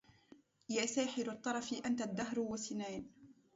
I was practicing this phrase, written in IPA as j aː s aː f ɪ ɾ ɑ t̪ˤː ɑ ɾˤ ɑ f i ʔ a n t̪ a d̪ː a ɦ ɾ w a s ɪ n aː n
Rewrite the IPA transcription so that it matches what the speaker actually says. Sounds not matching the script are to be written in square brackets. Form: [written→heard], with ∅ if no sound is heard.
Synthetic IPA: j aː s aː [f→ħ] ɪ ɾ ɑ t̪ˤː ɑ ɾˤ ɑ f i ʔ a n t̪ a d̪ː a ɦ ɾ w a s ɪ n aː n